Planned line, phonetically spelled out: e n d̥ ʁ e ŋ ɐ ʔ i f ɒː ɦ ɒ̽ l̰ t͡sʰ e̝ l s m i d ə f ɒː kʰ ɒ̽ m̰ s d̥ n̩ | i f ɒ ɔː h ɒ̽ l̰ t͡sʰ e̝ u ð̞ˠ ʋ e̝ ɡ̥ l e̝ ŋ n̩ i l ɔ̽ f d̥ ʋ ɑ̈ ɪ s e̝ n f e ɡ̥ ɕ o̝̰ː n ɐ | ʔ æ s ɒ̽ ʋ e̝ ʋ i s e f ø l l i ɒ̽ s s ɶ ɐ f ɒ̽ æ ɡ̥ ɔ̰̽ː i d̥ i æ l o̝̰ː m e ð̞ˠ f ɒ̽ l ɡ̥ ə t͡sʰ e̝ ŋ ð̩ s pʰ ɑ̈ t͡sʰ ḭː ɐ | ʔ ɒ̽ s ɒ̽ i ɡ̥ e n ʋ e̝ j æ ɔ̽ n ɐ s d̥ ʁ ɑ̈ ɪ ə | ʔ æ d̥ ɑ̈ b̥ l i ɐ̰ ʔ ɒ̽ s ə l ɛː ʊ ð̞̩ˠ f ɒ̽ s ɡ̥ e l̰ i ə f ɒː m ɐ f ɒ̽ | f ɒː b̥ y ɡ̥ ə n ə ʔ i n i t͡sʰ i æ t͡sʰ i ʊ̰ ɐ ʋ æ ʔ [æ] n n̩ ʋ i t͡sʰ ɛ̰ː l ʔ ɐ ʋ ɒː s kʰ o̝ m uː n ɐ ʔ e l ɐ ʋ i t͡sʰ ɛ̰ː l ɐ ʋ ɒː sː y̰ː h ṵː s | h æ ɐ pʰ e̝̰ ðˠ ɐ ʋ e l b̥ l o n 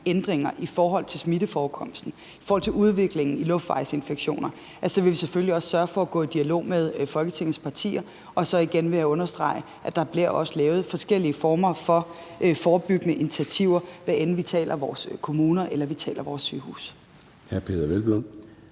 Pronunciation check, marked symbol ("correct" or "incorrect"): incorrect